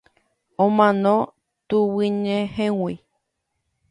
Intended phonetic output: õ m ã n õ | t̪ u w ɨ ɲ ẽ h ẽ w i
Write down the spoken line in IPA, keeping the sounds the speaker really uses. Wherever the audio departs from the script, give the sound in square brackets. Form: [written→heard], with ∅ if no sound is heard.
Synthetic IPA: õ m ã n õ | t̪ u w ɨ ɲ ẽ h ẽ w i